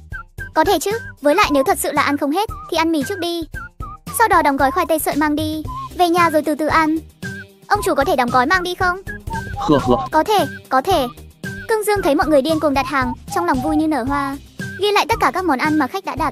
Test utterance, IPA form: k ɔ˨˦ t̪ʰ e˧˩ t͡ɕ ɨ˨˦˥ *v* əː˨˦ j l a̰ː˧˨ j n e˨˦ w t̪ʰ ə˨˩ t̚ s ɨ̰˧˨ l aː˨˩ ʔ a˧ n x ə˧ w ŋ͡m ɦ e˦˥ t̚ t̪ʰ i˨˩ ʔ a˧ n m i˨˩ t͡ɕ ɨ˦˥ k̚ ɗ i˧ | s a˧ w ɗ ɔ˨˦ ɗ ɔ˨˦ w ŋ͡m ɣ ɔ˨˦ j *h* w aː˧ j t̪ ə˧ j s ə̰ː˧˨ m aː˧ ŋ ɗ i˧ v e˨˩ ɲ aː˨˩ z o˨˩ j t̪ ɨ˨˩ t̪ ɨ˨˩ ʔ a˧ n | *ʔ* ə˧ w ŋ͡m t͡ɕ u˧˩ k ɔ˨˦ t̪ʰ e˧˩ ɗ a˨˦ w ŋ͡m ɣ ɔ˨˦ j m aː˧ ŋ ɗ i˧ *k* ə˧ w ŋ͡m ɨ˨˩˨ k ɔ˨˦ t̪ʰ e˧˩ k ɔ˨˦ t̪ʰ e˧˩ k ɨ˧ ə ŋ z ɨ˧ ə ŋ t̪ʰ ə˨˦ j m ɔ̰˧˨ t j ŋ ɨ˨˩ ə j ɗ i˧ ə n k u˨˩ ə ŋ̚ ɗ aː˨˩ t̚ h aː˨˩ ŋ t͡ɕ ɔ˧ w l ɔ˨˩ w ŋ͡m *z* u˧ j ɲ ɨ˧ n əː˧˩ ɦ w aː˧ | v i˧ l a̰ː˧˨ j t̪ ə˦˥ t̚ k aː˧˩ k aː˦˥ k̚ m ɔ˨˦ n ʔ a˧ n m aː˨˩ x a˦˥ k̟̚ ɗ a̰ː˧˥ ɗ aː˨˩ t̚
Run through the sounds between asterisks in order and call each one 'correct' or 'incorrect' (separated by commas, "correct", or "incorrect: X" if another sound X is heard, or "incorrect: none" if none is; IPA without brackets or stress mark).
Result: correct, incorrect: x, correct, incorrect: x, incorrect: v